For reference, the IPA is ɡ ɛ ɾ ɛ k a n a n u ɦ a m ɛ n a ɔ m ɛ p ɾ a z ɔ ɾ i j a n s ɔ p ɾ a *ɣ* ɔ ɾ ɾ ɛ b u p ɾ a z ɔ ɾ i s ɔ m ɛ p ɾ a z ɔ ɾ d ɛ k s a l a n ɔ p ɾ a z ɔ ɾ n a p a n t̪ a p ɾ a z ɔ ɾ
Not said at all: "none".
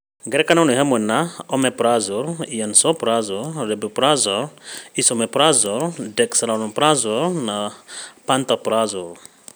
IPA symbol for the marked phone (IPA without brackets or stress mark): z